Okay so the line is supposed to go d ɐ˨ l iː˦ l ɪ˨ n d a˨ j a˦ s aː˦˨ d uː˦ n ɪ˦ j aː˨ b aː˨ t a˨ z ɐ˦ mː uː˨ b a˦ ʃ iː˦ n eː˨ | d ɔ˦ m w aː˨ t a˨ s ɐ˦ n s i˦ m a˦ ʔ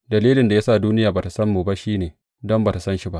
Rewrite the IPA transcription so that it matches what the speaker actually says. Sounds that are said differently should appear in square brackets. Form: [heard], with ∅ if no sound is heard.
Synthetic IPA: d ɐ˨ l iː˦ l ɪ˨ n d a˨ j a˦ s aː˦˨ d uː˦ n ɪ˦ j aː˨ b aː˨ t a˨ [s] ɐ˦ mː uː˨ b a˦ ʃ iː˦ n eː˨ | d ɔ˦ m [b] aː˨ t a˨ s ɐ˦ n [ʃ] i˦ [b] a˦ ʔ